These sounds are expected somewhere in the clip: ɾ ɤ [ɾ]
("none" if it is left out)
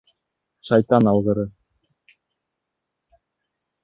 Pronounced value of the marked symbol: none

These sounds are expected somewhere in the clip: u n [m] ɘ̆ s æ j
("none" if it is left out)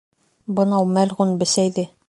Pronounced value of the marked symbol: b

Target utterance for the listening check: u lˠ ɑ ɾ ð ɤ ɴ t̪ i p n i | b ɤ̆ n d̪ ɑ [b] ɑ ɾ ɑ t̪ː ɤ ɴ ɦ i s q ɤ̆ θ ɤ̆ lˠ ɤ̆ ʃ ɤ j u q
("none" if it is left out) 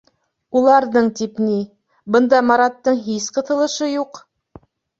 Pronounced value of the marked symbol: m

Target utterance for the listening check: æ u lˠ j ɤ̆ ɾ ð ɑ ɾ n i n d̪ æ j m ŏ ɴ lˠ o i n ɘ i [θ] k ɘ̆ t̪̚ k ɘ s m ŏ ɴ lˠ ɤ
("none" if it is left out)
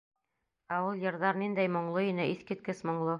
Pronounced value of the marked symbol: θ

